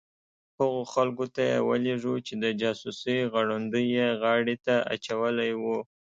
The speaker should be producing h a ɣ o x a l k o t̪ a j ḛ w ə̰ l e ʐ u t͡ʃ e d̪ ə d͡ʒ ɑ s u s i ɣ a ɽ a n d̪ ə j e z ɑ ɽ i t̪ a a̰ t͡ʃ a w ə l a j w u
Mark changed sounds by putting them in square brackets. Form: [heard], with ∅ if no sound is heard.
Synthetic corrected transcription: h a ɣ o x a l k o t̪ a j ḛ w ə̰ l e ʐ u t͡ʃ e d̪ ə d͡ʒ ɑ s u s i ɣ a ɽ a n d̪ ə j e [ɣ] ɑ ɽ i t̪ a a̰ t͡ʃ a w ə l a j w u